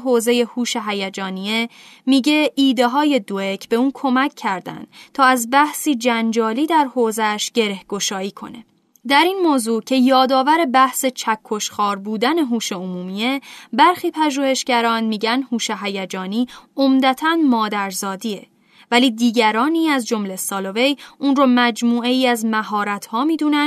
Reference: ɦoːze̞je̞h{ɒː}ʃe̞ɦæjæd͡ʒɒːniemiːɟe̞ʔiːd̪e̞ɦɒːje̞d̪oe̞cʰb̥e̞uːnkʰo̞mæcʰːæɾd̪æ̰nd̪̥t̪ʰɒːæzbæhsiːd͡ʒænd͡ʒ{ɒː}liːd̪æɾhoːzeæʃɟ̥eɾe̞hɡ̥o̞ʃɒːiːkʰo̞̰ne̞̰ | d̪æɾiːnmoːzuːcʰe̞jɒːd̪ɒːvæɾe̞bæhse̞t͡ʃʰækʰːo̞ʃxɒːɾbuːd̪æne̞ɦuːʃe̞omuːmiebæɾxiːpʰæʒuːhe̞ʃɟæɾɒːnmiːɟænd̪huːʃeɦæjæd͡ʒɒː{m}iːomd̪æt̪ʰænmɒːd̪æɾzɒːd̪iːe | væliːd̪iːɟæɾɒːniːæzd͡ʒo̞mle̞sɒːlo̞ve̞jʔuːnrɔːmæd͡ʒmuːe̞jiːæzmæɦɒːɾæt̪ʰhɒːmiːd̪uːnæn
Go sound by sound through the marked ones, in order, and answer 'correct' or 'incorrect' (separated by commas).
incorrect, correct, incorrect